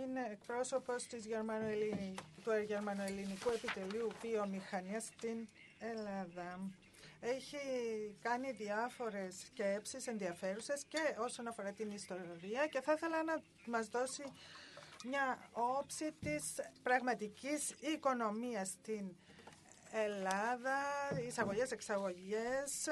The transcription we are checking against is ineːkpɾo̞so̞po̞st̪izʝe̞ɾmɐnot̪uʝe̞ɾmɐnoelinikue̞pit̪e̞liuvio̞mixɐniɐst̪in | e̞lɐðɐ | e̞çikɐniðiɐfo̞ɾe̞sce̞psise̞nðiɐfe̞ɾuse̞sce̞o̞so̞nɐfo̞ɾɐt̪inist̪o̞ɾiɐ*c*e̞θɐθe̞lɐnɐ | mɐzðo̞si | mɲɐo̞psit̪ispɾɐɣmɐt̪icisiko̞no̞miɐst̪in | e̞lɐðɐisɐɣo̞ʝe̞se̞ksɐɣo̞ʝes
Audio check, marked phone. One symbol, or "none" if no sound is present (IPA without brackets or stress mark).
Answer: c